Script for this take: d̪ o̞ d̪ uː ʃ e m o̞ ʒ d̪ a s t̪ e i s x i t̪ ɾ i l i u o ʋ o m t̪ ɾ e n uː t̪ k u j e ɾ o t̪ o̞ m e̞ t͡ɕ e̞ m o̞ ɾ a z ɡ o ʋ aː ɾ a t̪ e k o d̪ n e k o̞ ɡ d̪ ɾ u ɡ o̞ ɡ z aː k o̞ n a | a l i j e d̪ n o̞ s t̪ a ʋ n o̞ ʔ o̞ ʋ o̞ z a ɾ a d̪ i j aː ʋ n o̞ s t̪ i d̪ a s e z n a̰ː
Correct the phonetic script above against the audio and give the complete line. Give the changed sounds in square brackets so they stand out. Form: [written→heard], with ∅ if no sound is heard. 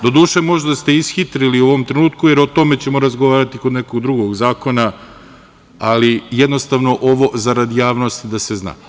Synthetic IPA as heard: d̪ o̞ d̪ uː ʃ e m o̞ ʒ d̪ a s t̪ e i s x i t̪ ɾ i l i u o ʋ o m t̪ ɾ e n uː t̪ k u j e ɾ o t̪ o̞ m e̞ t͡ɕ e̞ m o̞ ɾ a z ɡ o ʋ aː ɾ a t̪ [e→i] k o d̪ n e k o̞ ɡ d̪ ɾ u ɡ o̞ ɡ z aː k o̞ n a | a l i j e d̪ n o̞ s t̪ a ʋ n o̞ ʔ o̞ ʋ o̞ z a ɾ a d̪ i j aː ʋ n o̞ s t̪ i d̪ a s e z n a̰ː